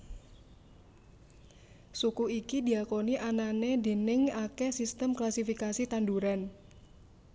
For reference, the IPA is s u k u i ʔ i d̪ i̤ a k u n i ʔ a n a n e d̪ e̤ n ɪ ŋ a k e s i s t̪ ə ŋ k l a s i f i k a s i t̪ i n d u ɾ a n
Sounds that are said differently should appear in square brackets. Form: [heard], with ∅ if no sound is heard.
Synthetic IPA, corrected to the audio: s u k u i [k] i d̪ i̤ a k [o] n i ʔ a n a n e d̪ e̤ n ɪ ŋ a k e s i s t̪ ə [m] k l a s i f i k a s i t̪ [a] n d u ɾ a n